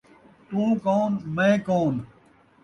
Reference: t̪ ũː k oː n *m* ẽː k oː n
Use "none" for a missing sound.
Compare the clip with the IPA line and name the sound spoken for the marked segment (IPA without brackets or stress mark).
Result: m